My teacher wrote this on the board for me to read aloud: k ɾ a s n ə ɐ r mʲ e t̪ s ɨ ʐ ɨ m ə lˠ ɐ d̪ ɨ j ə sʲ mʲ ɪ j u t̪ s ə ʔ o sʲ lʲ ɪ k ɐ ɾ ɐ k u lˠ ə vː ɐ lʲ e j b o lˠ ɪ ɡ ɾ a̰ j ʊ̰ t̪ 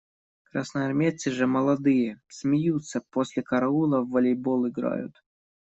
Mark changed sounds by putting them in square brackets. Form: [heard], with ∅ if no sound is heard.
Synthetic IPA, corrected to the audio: k ɾ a s n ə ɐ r mʲ e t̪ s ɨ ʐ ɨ m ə lˠ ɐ d̪ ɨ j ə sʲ mʲ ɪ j u t̪ s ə [p] o sʲ lʲ ɪ k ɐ ɾ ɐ [∅] u lˠ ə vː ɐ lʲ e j b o lˠ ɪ ɡ ɾ a̰ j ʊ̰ t̪